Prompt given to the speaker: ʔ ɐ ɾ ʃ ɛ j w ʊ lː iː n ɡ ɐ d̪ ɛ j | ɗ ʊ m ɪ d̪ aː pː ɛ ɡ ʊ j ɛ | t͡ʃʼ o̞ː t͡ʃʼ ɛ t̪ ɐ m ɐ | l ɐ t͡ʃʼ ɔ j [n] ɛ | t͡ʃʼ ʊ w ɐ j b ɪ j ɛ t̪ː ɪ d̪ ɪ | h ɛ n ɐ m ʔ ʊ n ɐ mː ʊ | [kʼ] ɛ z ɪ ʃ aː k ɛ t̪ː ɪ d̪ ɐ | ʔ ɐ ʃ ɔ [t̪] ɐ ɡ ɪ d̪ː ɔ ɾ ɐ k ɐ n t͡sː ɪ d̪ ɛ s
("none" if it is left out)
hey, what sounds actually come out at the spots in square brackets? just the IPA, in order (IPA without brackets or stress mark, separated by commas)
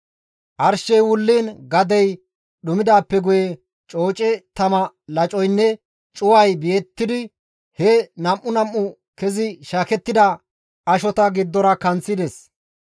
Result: nː, k, t̪